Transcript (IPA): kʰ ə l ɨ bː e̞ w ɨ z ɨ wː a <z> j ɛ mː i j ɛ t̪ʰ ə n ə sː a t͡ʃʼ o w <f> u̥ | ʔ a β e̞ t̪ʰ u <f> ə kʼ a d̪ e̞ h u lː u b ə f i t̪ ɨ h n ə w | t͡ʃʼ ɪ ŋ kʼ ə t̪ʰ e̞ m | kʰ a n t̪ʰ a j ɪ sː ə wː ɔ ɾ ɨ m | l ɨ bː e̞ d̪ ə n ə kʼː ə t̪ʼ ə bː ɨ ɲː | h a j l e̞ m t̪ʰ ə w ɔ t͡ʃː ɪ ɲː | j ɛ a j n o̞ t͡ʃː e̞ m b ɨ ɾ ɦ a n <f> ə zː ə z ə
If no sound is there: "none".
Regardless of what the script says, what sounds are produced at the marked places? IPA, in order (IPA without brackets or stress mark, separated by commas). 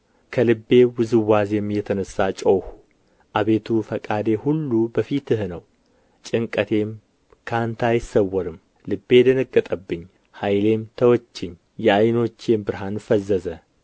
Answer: z, h, f, f